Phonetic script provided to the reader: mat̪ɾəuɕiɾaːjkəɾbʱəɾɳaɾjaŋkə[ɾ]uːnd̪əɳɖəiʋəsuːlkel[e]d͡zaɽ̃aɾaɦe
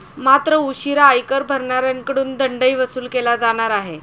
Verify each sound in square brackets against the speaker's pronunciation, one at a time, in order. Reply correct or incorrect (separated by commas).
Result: incorrect, incorrect